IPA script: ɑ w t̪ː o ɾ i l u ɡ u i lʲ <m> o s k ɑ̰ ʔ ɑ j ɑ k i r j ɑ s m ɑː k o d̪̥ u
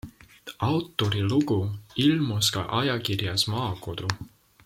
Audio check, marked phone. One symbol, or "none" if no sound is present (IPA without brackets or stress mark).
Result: m